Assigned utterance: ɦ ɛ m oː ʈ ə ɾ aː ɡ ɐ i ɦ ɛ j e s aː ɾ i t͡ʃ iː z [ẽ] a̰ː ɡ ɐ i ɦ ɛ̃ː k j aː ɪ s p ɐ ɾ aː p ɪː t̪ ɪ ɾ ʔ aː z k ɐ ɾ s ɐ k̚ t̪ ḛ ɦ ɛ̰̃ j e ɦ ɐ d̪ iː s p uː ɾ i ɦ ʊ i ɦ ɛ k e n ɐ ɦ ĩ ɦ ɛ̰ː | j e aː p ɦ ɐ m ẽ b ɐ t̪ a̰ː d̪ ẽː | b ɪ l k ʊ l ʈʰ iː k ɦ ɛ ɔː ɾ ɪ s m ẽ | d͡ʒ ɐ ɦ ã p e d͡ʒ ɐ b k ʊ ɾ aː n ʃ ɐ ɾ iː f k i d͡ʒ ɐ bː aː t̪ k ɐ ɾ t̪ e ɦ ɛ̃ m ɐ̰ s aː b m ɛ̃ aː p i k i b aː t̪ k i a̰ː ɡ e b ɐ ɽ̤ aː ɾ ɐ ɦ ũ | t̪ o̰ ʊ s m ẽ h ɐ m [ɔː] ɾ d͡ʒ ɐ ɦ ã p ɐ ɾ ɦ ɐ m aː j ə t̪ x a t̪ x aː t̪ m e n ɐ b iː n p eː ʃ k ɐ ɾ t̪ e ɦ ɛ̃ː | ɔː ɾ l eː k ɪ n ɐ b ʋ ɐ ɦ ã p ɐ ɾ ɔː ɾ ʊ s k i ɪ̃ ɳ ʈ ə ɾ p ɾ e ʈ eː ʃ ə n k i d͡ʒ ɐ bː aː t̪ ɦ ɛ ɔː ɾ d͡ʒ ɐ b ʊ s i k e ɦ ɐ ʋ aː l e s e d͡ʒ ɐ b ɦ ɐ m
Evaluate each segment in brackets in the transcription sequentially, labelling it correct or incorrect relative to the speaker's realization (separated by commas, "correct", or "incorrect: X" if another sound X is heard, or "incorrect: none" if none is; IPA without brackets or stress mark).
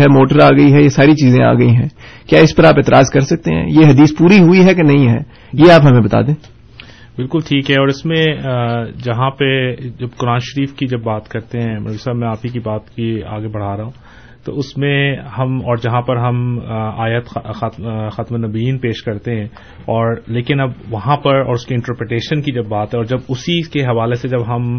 correct, correct